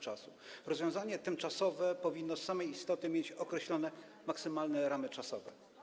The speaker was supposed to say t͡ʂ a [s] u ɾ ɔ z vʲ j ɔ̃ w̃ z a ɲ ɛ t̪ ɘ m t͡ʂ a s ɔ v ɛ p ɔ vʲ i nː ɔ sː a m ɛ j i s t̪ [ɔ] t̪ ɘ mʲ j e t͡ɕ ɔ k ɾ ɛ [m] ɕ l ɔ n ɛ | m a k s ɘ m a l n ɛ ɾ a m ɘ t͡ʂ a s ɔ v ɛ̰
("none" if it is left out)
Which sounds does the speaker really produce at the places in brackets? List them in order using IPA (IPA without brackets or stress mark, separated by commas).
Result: s, ɔ, none